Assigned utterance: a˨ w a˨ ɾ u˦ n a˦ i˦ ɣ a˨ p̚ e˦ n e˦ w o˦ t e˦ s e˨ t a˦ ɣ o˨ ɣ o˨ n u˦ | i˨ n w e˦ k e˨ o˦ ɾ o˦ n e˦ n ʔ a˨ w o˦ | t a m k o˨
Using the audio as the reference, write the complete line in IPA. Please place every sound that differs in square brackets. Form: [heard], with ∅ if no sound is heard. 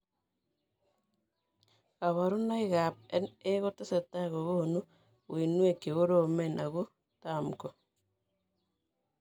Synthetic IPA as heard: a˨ [β] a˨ ɾ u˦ n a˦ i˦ ɣ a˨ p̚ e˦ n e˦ [ɣ] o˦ t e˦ s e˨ t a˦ ɣ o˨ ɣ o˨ n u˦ | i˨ n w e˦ k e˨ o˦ ɾ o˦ [m] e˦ n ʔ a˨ [ɣ] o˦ | t a m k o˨